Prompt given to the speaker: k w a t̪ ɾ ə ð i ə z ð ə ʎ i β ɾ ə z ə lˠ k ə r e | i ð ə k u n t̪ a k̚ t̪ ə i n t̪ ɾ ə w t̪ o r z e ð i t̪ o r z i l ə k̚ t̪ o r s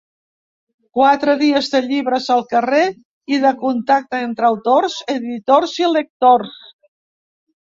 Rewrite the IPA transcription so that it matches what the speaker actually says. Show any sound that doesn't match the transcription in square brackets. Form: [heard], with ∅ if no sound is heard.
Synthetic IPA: k w a t̪ ɾ ə ð i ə z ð ə ʎ i β ɾ ə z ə lˠ k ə r e | i ð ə k u n t̪ a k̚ t̪ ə [e] n t̪ ɾ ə w t̪ o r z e ð i t̪ o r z i l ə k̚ t̪ o r s